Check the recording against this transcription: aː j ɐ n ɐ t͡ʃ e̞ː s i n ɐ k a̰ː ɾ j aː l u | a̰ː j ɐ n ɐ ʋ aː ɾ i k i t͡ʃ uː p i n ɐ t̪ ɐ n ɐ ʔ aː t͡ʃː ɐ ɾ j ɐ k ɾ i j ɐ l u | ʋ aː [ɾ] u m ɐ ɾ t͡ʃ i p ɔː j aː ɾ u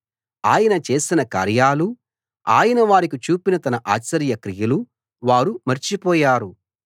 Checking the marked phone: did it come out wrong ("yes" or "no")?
no